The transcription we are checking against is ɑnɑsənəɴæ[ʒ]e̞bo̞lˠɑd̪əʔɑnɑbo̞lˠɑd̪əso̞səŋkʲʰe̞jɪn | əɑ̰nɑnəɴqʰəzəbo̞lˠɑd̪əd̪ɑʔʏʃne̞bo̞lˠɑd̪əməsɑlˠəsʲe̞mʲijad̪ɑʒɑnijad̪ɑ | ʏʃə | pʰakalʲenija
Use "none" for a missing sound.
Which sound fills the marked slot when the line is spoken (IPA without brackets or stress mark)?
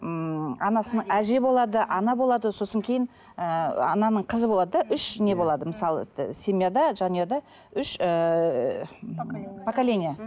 ʒ